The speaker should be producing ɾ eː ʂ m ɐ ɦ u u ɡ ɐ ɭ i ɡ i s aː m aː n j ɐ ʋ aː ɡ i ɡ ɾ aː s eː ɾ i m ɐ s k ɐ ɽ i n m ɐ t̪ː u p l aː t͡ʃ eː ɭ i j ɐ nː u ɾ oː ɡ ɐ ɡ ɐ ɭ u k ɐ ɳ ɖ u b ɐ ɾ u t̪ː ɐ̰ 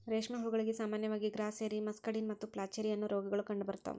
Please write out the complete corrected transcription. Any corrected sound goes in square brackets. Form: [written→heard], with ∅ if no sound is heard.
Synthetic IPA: ɾ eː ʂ m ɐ ɦ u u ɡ ɐ ɭ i ɡ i s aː m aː n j ɐ ʋ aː ɡ i ɡ ɾ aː s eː ɾ i m ɐ s k ɐ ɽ i n m ɐ t̪ː u p l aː t͡ʃ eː [ɭ→ɾ] i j ɐ nː u ɾ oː ɡ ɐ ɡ ɐ ɭ u k ɐ ɳ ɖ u b ɐ ɾ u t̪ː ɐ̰